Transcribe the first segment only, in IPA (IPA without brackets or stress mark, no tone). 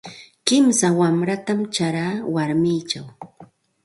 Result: k